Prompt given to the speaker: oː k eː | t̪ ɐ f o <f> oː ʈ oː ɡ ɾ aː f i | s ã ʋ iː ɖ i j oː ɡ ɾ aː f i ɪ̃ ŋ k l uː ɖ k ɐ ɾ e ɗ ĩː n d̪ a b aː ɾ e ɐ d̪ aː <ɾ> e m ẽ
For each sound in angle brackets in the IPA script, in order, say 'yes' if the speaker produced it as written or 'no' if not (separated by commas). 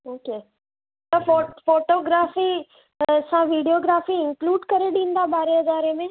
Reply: yes, yes